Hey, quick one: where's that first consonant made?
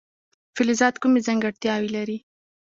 lips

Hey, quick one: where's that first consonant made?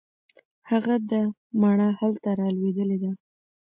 throat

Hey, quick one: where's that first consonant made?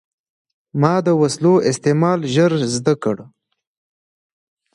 lips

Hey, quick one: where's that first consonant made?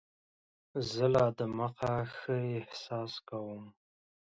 tongue tip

